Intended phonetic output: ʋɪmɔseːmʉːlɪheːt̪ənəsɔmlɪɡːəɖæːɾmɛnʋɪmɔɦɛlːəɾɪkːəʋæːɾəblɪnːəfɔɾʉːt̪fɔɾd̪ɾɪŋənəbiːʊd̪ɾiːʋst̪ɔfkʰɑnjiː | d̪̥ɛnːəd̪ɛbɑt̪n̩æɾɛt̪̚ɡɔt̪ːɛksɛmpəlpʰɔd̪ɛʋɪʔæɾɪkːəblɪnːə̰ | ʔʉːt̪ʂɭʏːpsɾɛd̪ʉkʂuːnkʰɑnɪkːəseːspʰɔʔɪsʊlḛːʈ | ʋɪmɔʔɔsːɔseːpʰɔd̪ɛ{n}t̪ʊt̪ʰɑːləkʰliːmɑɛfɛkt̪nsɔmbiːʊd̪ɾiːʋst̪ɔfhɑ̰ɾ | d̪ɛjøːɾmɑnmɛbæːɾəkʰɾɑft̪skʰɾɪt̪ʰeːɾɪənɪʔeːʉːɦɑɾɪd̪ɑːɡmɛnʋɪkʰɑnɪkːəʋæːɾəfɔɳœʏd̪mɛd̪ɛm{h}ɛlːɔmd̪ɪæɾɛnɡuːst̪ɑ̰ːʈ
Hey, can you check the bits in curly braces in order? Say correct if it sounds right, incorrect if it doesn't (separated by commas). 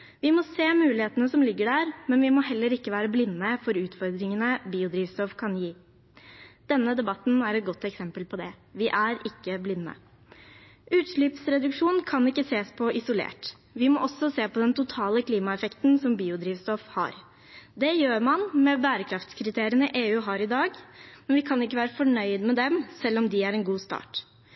correct, incorrect